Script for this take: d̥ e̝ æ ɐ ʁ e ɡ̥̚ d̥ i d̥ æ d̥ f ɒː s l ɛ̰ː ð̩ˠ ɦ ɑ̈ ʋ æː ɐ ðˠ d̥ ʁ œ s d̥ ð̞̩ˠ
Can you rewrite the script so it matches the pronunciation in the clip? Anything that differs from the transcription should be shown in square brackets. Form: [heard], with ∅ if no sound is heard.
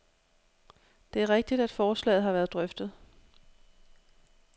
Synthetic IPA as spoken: d̥ e̝ æ ɐ ʁ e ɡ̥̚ d̥ i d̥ æ d̥ f ɒː s l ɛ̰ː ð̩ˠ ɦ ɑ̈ ʋ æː ɐ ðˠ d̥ ʁ œ [f] d̥ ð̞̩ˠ